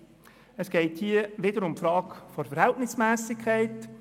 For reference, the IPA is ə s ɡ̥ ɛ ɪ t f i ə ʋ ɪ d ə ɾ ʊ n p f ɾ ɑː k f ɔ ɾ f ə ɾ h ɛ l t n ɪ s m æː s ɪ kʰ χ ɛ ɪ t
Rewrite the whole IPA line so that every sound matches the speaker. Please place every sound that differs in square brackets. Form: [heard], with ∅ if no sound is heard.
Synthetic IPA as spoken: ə s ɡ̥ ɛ ɪ t [h] i ə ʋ ɪ d ə ɾ ʊ [m] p f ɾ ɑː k f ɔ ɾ f ə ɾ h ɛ l t n ɪ s m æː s ɪ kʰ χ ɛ ɪ t